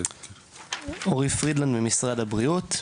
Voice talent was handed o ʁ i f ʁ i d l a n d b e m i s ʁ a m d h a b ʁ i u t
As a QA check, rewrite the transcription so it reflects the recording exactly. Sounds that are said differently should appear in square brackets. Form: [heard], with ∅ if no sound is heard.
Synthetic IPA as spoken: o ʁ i f ʁ i d l a n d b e m i s ʁ a [∅] d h a b ʁ i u t